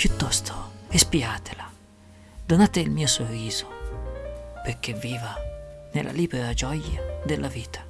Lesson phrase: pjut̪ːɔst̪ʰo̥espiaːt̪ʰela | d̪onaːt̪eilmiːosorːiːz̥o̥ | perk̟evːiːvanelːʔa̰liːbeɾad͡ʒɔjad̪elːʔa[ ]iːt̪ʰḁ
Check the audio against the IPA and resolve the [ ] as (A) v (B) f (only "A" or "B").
A